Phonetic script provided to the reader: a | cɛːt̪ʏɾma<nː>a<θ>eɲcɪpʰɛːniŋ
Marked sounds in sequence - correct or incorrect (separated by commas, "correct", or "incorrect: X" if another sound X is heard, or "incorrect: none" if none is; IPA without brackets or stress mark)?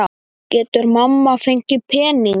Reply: incorrect: mː, incorrect: f